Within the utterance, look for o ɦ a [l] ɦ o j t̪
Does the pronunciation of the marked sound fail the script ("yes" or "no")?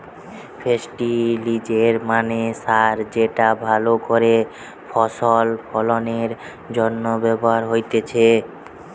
yes